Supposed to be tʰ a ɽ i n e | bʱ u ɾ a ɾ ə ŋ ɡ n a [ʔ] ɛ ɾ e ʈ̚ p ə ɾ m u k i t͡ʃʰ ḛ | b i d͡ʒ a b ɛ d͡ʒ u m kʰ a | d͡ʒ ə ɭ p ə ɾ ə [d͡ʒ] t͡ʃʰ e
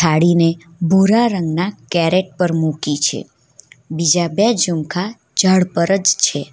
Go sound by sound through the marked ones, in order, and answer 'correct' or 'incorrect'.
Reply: incorrect: k, correct

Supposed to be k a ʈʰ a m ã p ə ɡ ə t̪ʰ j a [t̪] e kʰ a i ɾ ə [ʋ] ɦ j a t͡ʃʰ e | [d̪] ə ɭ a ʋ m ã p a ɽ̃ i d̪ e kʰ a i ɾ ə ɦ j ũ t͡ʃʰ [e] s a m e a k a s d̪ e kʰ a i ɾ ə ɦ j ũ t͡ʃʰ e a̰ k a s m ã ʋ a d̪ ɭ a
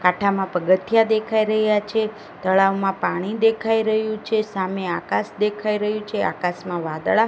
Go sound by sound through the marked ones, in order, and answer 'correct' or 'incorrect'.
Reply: incorrect: d̪, incorrect: none, incorrect: t̪, correct

